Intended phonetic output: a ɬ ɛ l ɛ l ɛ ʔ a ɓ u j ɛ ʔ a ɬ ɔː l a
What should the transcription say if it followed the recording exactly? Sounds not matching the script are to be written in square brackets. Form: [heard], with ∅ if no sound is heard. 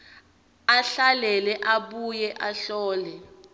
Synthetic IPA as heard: a ɬ [a] l ɛ l ɛ ʔ a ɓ u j ɛ ʔ a ɬ ɔː l [ɛ]